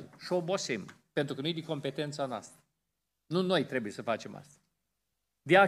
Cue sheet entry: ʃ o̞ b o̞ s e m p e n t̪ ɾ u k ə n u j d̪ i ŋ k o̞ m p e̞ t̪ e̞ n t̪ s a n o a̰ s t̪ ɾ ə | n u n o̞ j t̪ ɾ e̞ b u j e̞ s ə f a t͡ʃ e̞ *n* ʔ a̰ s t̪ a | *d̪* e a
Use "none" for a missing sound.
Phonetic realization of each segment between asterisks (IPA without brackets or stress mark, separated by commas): m, d̪